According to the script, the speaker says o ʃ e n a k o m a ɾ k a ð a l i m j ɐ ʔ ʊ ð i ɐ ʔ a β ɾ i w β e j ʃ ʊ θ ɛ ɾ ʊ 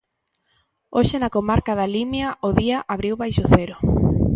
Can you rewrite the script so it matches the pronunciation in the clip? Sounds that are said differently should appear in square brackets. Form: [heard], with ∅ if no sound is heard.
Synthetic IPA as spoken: o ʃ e n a k o m a ɾ k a ð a l i m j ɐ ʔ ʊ ð i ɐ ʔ a β ɾ i w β [a] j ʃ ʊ θ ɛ ɾ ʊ